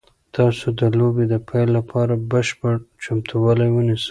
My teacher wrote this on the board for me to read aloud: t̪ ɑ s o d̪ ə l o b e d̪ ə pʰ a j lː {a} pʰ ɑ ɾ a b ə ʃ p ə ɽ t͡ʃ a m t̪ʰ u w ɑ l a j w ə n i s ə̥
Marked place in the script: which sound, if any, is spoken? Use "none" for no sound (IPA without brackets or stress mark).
a